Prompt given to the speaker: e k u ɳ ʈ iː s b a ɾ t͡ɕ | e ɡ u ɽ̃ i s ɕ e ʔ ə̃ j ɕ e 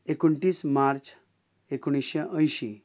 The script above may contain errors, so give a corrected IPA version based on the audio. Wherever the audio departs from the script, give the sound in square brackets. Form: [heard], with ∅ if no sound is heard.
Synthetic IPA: e k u ɳ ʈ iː s [m] a ɾ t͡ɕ | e [k] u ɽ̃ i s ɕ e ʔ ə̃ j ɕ [i]

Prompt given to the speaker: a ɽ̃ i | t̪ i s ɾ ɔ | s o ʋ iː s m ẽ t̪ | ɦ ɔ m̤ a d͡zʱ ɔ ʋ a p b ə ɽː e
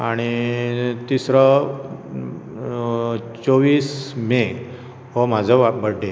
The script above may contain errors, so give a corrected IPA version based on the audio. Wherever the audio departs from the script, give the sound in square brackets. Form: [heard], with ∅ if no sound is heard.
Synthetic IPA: a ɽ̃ i | t̪ i s ɾ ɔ | [t͡s] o ʋ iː s m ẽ [∅] | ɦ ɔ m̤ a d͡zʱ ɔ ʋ a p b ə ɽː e

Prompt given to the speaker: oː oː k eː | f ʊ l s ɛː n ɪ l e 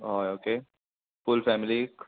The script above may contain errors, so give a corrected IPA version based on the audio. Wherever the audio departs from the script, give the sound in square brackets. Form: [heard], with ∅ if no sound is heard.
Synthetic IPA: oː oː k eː | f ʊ l [f] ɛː [m] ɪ l [i]

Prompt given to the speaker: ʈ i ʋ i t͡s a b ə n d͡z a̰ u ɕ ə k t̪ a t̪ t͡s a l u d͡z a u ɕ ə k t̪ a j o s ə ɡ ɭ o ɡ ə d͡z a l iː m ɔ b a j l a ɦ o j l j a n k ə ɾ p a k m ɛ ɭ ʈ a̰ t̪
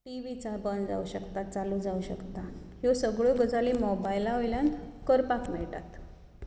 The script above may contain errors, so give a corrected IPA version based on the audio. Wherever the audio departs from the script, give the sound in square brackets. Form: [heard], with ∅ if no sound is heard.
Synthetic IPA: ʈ i ʋ i t͡s a b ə n d͡z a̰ u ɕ ə k t̪ a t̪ t͡s a l u d͡z a u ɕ ə k t̪ a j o s ə ɡ ɭ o ɡ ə d͡z a l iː m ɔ b a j l a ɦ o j l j a n k ə ɾ p a k m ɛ ɭ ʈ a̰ t̪

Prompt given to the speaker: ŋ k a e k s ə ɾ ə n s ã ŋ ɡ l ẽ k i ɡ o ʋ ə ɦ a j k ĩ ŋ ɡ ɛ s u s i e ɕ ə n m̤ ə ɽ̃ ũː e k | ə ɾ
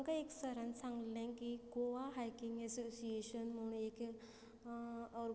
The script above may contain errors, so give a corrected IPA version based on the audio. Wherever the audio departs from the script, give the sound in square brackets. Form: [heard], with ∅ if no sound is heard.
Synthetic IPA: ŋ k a e k s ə ɾ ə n s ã ŋ ɡ l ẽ k i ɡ o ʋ [a] ɦ a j k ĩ ŋ ɡ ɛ s [o] s i e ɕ ə n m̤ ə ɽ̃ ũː e k | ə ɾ

